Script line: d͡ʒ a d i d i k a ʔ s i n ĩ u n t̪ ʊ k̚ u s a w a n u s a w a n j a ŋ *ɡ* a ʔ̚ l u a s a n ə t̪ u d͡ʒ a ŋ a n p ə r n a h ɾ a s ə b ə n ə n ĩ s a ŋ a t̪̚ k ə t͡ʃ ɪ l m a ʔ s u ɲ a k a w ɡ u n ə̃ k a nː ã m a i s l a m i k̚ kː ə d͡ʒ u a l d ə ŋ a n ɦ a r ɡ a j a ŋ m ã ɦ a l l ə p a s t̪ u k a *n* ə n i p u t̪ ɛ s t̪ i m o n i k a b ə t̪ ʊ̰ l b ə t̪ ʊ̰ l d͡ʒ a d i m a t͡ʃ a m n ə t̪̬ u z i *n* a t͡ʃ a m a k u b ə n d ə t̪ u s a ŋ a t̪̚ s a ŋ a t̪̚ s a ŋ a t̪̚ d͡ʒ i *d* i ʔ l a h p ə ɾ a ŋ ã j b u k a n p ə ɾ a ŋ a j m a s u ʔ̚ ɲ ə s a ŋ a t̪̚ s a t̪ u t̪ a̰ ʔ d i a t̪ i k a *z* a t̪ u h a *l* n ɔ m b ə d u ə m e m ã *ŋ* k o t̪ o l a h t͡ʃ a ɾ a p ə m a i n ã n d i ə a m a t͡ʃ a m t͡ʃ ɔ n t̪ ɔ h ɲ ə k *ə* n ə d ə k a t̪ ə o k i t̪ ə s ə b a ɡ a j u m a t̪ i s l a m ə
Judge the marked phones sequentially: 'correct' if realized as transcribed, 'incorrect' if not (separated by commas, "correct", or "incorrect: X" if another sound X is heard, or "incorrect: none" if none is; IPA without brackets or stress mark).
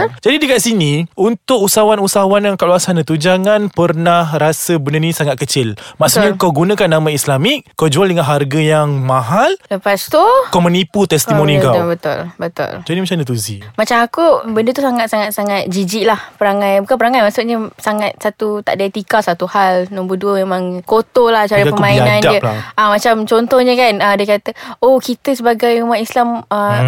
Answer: incorrect: k, incorrect: m, incorrect: m, incorrect: d͡ʒ, incorrect: s, correct, correct, incorrect: a